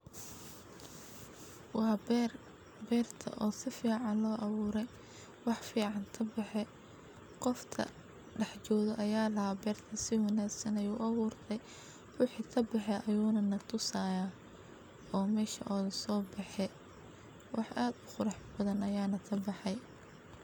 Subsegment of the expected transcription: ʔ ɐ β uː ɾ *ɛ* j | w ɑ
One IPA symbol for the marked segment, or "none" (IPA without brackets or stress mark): ɛ